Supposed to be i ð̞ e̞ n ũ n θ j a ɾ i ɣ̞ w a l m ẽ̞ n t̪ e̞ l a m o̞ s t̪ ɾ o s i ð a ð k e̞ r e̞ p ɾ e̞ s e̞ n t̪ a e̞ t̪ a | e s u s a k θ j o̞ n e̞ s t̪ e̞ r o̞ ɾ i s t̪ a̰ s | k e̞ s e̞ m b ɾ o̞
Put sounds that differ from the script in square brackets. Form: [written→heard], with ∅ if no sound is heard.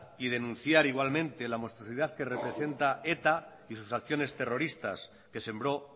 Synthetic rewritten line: i ð̞ e̞ n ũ n θ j a ɾ i ɣ̞ w a l m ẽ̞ n t̪ e̞ l a m o̞ s t̪ ɾ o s i ð a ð k e̞ r e̞ p ɾ e̞ s e̞ n t̪ a e̞ t̪ a | [e→i] s u s a k θ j o̞ n e̞ s t̪ e̞ r o̞ ɾ i s t̪ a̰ s | k e̞ s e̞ m b ɾ o̞